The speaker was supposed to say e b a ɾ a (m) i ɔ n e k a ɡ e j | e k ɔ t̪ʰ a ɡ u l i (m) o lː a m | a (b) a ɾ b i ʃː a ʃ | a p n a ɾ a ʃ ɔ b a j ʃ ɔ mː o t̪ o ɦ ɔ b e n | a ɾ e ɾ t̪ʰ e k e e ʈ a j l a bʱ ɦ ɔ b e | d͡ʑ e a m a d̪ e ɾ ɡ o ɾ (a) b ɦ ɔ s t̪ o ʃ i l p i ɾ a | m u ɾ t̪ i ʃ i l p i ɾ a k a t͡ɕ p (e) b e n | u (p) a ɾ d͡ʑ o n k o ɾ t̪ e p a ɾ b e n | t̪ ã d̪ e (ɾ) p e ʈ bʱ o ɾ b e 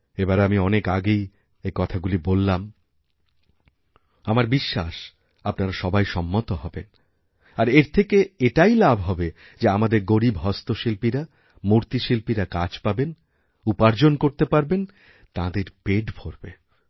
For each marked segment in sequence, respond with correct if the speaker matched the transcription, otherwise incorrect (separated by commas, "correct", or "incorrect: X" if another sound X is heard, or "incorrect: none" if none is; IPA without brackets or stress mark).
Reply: correct, incorrect: b, incorrect: m, incorrect: i, incorrect: a, correct, correct